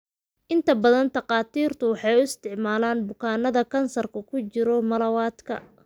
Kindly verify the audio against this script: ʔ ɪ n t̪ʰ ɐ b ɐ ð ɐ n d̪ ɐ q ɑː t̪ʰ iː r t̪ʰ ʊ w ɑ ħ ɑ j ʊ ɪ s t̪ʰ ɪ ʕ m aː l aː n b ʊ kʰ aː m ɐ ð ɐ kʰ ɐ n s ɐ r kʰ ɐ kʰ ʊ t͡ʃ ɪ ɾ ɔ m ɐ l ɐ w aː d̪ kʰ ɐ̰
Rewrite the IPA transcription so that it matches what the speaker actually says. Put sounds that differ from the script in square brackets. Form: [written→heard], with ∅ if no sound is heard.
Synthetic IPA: ʔ ɪ n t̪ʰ ɐ b ɐ ð ɐ n [d̪→t̪] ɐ q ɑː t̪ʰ iː r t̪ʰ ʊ w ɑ ħ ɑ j ʊ ɪ s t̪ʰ ɪ ʕ m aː l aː n b ʊ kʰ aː [m→n] ɐ ð ɐ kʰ ɐ n s ɐ r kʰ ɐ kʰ ʊ t͡ʃ ɪ ɾ ɔ m ɐ l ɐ w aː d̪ kʰ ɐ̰